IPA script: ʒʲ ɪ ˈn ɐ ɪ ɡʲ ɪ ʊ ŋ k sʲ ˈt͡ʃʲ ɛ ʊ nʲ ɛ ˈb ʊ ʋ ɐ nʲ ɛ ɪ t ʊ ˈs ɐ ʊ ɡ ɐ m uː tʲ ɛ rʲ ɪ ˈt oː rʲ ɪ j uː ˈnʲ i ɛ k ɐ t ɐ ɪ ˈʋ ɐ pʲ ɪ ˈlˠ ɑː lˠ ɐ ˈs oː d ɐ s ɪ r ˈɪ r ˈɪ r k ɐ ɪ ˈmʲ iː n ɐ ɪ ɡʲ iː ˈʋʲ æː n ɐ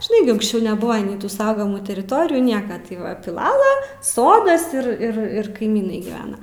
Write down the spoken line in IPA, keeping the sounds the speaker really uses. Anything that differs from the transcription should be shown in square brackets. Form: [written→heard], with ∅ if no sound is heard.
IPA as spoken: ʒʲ ɪ ˈn ɐ ɪ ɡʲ ɪ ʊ ŋ k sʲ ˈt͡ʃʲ ɛ ʊ nʲ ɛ ˈb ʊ ʋ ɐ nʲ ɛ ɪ t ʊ ˈs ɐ ʊ ɡ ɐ m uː tʲ ɛ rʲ ɪ ˈt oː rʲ ɪ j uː ˈnʲ i ɛ k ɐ t ɐ ɪ ˈʋ ɐ pʲ ɪ ˈlˠ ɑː lˠ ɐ ˈs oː d ɐ s ɪ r ˈɪ r ˈɪ r k ɐ ɪ ˈmʲ iː n ɐ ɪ ɡʲ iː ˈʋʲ æː n ɐ